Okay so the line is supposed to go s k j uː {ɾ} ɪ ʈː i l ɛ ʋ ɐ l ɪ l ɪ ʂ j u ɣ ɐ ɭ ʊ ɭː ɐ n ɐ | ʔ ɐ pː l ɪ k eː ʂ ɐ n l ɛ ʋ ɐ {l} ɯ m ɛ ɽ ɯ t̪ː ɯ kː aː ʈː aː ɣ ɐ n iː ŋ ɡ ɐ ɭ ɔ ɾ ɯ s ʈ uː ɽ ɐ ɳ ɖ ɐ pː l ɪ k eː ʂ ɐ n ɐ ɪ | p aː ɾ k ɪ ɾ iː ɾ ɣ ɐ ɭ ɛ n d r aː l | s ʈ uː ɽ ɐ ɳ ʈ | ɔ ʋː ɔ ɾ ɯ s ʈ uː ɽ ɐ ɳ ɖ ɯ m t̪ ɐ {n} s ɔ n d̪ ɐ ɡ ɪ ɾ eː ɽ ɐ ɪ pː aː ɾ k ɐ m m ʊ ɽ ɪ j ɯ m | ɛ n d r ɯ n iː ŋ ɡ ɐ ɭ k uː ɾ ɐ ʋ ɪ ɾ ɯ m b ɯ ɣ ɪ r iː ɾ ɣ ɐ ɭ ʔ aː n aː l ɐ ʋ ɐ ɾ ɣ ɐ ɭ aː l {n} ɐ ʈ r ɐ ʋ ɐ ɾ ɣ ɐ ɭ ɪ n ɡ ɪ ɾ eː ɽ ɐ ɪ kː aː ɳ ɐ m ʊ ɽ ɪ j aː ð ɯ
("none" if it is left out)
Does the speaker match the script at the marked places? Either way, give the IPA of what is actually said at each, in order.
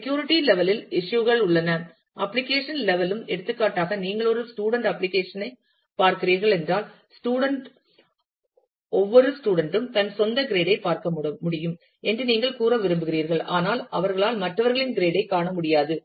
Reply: ɾ, l, n, m

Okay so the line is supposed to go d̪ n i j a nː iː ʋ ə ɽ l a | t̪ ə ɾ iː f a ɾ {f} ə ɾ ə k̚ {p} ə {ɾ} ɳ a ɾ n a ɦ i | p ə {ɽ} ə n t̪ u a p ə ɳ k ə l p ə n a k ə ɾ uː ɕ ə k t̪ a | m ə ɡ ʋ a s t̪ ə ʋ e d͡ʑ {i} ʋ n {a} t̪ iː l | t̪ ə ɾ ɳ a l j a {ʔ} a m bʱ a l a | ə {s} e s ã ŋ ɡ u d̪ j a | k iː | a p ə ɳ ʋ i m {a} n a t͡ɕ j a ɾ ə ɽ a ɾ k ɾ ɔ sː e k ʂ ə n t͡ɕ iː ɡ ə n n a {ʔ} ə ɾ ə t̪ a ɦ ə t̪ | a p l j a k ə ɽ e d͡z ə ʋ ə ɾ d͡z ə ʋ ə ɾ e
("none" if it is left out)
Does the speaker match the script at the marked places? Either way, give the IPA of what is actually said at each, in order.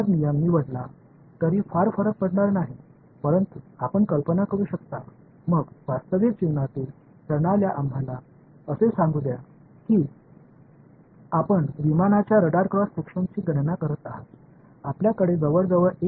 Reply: f, p, ɽ, ɾ, i, a, ʔ, s, a, k

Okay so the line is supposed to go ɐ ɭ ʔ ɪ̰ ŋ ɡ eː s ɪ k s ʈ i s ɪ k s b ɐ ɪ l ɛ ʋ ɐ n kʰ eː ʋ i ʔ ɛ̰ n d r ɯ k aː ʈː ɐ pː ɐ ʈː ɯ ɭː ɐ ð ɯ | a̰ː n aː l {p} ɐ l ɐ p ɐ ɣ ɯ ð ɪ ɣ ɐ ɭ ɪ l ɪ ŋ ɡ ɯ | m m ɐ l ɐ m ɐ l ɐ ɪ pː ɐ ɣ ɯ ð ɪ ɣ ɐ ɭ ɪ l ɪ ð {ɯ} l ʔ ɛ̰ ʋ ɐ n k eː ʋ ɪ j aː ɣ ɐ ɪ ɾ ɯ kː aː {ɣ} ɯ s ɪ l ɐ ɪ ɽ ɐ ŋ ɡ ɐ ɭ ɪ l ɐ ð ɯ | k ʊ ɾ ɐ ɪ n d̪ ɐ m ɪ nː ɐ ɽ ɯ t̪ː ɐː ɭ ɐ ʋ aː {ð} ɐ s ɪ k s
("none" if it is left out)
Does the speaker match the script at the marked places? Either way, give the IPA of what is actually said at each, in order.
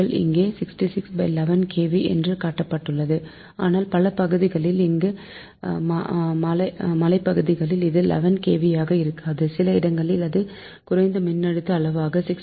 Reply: p, ɯ, ð, ɣ

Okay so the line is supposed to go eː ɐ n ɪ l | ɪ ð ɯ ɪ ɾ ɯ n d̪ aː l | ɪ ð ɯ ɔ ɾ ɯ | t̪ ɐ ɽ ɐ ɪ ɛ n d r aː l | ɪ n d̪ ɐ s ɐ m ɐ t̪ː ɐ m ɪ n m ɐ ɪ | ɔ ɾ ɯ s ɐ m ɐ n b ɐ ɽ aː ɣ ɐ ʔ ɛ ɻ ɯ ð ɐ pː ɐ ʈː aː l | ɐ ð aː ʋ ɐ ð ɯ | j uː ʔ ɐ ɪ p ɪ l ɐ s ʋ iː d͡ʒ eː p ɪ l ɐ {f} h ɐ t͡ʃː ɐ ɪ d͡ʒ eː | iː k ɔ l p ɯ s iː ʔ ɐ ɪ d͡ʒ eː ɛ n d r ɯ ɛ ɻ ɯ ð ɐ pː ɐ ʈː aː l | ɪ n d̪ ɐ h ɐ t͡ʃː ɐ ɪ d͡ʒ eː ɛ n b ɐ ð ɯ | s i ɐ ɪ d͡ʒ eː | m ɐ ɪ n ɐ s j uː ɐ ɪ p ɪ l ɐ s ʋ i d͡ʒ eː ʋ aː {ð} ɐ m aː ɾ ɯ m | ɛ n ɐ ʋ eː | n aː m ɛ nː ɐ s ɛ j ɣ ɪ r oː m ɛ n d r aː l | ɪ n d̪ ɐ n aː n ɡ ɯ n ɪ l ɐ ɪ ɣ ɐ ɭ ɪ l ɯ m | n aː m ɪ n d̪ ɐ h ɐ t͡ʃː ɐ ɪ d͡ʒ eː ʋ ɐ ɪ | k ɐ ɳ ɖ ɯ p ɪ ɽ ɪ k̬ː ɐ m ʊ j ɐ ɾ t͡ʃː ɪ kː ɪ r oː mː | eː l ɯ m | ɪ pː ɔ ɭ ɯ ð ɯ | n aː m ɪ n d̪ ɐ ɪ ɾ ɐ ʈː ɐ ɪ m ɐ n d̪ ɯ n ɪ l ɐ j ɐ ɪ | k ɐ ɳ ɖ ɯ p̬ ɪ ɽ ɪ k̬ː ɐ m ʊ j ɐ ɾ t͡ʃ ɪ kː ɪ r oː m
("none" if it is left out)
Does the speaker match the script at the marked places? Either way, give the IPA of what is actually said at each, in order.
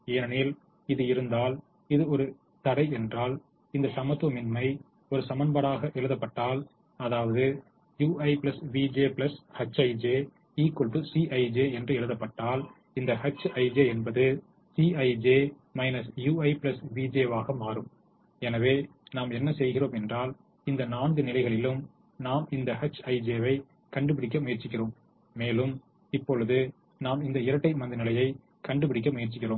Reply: s, ɣ

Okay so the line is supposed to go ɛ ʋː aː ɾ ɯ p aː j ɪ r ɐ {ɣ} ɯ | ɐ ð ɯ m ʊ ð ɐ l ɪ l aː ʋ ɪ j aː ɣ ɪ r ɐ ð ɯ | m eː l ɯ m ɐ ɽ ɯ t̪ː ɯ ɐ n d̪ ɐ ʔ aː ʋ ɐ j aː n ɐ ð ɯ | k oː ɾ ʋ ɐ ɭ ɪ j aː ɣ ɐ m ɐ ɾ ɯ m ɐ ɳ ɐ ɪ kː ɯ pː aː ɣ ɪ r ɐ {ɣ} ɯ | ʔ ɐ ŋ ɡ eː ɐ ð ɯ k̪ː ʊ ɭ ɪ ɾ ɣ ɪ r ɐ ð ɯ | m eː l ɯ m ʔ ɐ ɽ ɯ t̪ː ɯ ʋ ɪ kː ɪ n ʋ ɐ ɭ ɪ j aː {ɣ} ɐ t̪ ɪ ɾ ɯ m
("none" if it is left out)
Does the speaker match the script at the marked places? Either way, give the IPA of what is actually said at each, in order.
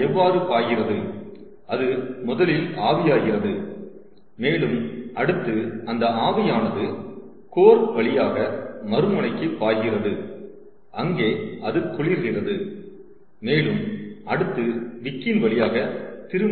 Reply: ð, ð, ɣ

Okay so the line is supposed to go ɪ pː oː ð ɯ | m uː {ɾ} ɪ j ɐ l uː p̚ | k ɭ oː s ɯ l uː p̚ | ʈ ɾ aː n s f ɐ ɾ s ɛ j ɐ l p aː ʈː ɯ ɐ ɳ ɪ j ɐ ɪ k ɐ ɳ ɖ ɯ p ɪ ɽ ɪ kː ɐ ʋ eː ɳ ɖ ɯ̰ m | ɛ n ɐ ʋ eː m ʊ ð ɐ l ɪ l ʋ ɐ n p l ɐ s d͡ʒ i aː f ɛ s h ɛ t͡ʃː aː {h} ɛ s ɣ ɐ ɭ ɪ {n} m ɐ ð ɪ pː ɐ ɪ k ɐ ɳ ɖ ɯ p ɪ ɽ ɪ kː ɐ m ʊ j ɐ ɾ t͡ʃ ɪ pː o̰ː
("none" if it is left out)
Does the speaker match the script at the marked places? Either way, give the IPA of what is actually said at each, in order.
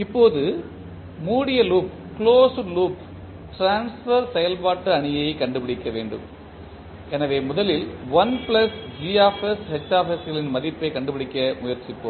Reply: ɽ, f, n

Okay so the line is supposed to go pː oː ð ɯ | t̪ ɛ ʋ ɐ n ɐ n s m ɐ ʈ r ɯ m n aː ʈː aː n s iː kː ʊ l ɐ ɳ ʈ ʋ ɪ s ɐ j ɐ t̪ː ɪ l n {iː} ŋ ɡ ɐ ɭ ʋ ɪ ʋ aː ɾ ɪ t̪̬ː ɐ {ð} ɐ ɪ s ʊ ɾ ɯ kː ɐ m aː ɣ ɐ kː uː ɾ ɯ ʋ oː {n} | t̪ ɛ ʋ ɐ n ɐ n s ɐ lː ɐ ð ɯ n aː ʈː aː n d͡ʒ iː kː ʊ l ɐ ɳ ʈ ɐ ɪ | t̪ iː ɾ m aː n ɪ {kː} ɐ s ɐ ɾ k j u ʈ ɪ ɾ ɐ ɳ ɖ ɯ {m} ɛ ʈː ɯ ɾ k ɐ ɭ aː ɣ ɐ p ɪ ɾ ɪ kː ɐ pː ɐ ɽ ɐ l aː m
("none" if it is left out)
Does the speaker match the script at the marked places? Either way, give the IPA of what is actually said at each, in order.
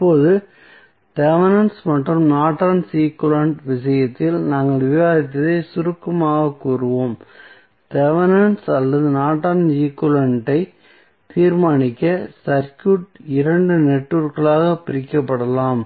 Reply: aː, ð, m, kː, n

